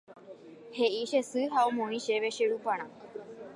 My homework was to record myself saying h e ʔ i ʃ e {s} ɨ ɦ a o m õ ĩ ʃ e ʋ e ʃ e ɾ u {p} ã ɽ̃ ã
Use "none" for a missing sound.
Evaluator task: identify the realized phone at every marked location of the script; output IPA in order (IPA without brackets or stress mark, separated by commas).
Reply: s, p